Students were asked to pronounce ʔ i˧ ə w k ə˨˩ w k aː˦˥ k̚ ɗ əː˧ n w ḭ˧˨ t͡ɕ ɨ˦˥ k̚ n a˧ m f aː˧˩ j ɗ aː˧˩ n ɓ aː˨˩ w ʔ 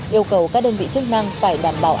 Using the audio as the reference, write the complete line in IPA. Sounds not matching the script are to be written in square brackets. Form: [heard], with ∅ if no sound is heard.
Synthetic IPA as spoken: ʔ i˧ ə w k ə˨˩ w k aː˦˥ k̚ ɗ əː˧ n [v] ḭ˧˨ t͡ɕ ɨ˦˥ k̚ n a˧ [ŋ] f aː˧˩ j ɗ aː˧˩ [m] ɓ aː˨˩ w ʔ